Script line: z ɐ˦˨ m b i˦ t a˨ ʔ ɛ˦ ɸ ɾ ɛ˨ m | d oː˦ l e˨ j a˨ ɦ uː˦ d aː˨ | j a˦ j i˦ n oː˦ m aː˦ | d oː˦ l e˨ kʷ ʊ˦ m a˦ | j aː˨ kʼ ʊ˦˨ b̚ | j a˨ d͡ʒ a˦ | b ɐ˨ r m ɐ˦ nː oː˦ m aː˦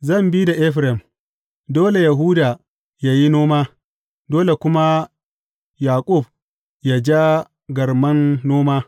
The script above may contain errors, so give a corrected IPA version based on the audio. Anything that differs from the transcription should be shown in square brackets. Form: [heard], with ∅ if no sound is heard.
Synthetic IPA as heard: z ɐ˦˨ m b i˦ [d] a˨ ʔ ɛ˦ ɸ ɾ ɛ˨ m | d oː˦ l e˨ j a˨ ɦ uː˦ d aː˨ | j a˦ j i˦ n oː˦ m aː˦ | d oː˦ l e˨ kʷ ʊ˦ m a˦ | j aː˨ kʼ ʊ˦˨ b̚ | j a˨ d͡ʒ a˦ | [ɡ] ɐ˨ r m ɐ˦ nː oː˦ m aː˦

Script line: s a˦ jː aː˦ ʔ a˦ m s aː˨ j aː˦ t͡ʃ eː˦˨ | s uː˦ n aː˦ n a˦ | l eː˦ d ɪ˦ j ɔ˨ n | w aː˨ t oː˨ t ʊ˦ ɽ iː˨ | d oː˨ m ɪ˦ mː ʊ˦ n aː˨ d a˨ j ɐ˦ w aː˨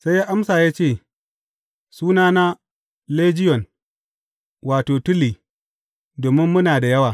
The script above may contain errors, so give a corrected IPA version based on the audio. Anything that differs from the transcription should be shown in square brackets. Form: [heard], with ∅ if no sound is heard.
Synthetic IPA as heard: s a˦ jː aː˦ ʔ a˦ m s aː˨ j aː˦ t͡ʃ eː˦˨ | s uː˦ n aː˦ n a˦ | l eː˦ [d͡ʒ] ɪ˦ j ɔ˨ n | w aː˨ t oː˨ t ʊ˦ [l] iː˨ | d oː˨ m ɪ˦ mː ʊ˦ n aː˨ d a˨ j ɐ˦ w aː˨

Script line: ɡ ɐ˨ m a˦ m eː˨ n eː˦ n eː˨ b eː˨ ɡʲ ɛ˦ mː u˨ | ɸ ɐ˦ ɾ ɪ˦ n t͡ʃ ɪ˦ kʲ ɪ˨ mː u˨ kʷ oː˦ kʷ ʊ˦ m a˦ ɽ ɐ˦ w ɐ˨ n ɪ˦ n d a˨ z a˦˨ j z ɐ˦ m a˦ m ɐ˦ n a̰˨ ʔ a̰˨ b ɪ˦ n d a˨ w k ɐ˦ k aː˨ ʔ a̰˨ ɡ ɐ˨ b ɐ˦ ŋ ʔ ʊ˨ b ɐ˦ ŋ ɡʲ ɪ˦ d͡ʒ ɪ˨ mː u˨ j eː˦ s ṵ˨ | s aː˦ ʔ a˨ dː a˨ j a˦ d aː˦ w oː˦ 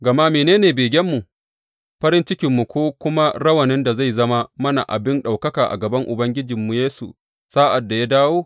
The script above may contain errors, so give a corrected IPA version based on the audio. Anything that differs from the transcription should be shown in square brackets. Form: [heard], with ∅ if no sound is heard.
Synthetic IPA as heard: ɡ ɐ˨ m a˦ m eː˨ n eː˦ n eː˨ b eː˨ ɡʲ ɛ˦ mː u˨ | ɸ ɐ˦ ɾ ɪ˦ n t͡ʃ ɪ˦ kʲ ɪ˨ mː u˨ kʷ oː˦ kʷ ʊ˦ m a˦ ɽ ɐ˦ w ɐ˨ n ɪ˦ n d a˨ z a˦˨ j z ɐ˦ m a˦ m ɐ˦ n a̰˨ ʔ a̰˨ b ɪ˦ n [ɗ] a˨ w k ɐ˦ k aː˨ ʔ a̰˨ ɡ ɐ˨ b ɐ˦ ŋ ʔ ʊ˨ b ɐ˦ ŋ ɡʲ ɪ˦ d͡ʒ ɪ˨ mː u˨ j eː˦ s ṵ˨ | s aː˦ ʔ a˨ dː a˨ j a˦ d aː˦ w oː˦

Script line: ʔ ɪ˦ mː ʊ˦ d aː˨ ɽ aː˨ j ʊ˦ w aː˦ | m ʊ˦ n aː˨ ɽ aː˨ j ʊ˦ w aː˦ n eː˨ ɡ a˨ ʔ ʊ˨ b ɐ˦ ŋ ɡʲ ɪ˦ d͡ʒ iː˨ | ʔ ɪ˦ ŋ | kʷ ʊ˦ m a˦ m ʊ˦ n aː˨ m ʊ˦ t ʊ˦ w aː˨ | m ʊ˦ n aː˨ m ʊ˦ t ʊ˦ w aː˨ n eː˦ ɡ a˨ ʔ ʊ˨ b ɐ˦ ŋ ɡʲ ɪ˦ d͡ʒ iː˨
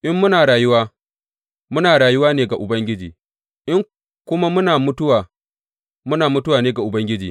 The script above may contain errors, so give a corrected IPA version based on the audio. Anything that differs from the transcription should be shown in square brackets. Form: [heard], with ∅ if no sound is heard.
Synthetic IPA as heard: ʔ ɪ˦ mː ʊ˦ [n] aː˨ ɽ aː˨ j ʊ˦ w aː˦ | m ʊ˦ n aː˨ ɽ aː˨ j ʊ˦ w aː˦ n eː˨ ɡ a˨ ʔ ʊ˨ b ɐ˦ ŋ ɡʲ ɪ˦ d͡ʒ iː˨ | ʔ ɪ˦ ŋ | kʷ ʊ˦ m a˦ m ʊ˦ n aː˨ m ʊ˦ t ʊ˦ w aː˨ | m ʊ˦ n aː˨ m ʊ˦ t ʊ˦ w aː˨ n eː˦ ɡ a˨ ʔ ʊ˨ b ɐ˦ ŋ ɡʲ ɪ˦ d͡ʒ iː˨

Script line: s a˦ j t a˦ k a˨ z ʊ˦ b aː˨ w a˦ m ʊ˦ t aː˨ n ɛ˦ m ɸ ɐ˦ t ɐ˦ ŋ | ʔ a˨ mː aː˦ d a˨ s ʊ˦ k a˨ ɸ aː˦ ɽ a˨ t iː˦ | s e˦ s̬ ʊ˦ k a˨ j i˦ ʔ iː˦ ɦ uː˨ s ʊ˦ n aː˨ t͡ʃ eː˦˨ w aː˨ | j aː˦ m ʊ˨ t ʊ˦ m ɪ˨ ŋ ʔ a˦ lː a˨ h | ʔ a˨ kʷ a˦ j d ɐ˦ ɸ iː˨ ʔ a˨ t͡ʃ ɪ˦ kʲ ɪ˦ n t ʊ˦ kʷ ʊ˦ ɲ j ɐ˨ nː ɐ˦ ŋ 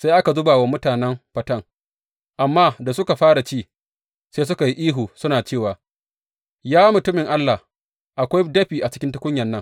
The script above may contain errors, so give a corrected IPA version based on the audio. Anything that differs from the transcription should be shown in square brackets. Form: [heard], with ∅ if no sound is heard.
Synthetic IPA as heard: s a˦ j [ʔ] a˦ k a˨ z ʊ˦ b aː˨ w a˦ m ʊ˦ t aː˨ n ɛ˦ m ɸ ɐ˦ t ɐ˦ ŋ | ʔ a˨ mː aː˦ d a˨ s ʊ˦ k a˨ ɸ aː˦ ɽ a˨ [t͡ʃ] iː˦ | s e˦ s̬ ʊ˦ k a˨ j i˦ ʔ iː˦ ɦ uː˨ s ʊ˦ n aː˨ t͡ʃ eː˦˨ w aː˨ | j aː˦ m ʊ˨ t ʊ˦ m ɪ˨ ŋ ʔ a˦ lː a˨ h | ʔ a˨ kʷ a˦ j d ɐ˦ ɸ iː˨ ʔ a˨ t͡ʃ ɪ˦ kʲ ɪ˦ n t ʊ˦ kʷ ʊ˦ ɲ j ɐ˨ nː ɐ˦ ŋ

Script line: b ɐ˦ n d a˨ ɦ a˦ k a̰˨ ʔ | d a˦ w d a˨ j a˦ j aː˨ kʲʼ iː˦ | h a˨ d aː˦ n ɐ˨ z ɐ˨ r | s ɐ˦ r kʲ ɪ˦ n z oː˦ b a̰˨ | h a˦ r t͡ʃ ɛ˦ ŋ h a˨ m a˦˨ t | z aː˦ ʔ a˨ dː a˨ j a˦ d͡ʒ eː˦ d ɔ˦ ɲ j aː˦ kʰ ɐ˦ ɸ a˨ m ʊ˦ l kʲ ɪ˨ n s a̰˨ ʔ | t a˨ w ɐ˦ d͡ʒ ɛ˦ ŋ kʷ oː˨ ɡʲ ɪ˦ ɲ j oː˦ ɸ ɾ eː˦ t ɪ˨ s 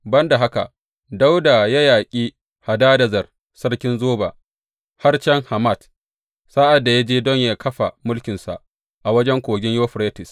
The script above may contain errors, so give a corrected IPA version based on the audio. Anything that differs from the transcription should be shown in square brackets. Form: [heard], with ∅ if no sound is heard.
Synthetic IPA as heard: b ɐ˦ n d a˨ ɦ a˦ k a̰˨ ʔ | d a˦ w d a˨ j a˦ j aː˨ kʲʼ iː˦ | h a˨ d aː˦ [d] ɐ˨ z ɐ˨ r | s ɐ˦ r kʲ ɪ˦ n z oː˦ b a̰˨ | h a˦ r t͡ʃ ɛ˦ ŋ h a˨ m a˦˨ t | [s] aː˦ ʔ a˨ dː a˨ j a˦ d͡ʒ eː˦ d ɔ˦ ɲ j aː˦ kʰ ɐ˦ ɸ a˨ m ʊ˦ l kʲ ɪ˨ n s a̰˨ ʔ | [ʔ] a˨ w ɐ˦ d͡ʒ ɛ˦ ŋ kʷ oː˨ ɡʲ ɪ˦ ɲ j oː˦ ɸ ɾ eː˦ t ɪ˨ s

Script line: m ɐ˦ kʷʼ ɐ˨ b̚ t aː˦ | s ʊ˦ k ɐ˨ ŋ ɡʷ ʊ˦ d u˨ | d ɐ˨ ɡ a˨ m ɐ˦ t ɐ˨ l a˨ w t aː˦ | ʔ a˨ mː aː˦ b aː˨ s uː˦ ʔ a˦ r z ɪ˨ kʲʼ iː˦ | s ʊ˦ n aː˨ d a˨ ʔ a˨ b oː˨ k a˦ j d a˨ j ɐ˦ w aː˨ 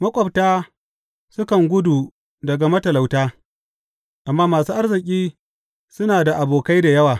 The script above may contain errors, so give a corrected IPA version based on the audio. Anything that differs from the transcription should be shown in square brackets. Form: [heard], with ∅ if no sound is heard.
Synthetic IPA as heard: m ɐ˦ kʷʼ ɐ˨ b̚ t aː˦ | s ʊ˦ k ɐ˨ ŋ ɡʷ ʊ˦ d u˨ | d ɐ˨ ɡ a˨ m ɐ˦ t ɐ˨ l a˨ w t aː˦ | ʔ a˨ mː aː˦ [m] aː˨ s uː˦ ʔ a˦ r z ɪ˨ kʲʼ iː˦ | s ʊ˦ n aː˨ d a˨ ʔ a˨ b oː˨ k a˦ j d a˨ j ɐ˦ w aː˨

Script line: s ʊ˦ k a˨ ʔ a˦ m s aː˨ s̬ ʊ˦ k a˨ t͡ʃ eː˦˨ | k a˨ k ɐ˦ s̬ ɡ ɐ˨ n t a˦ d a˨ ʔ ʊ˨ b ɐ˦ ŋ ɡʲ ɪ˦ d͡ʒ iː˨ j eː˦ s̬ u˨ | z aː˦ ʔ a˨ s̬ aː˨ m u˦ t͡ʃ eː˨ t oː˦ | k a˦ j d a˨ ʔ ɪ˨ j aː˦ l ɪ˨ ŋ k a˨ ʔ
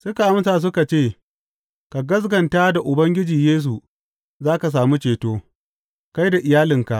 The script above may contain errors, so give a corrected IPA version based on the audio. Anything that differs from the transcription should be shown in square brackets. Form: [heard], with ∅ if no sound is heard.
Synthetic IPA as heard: s ʊ˦ k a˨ ʔ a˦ m s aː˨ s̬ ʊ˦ k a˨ t͡ʃ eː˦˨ | k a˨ [ɡ] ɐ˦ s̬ ɡ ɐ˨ n t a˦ d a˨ ʔ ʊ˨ b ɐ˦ ŋ ɡʲ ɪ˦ d͡ʒ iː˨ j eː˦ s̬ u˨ | z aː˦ [k] a˨ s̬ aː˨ m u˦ t͡ʃ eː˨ t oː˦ | k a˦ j d a˨ ʔ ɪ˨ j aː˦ l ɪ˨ ŋ k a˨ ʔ

